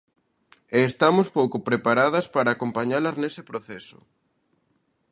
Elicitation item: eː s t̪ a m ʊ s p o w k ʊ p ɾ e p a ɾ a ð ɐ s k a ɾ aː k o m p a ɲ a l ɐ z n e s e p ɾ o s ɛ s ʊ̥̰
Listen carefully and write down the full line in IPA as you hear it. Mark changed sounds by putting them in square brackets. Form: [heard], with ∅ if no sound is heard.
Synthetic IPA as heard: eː s t̪ a m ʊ s p o w k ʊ p ɾ e p a ɾ a ð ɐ s [p] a ɾ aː k o m p a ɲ a l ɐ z n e s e p ɾ o [θ] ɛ s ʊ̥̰